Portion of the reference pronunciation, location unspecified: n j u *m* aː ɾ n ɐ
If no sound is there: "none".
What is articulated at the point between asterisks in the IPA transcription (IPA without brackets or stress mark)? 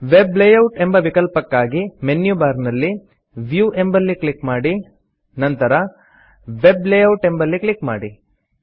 b